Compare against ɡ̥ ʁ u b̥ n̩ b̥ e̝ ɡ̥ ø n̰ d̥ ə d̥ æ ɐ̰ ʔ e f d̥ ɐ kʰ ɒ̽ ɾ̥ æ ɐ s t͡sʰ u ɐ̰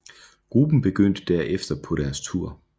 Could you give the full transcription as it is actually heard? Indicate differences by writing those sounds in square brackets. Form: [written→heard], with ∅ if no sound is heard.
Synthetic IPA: ɡ̥ ʁ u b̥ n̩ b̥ e̝ ɡ̥ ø n̰ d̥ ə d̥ æ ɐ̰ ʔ e f d̥ ɐ [kʰ→pʰ] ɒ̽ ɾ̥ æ ɐ s t͡sʰ u ɐ̰